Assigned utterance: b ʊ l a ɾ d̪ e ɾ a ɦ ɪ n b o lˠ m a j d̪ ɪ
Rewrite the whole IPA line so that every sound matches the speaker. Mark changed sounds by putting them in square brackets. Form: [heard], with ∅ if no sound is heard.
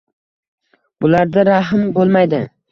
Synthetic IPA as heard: b ʊ l a ɾ d̪ [a] ɾ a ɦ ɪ [m] b o lˠ m a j d̪ ɪ